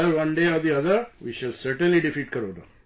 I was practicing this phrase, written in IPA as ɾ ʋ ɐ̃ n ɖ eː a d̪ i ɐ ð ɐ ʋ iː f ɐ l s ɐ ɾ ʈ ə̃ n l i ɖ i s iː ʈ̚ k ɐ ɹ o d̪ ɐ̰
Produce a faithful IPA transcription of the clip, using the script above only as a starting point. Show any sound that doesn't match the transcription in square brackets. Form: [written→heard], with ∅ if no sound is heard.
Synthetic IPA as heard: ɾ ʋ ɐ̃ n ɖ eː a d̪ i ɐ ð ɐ ʋ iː [f→ʃ] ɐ l s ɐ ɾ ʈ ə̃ n l i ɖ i [s→f] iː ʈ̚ k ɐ [ɹ→ɾ] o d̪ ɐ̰